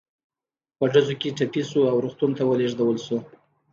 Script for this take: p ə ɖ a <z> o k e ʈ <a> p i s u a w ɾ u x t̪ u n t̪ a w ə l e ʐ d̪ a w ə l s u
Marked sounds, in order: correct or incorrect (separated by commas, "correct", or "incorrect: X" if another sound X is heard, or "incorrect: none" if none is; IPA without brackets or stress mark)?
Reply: correct, correct